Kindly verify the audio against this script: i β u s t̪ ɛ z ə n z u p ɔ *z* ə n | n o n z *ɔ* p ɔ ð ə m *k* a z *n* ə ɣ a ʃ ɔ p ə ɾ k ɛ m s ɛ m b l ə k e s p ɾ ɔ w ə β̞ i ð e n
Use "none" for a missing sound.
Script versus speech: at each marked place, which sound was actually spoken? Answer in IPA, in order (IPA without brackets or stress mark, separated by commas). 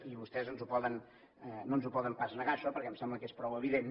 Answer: ð, u, p, n